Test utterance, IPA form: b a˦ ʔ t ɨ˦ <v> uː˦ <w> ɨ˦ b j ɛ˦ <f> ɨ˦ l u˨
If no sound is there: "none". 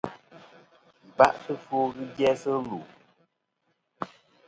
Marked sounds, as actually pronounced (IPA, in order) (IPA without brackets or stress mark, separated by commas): f, ɣ, s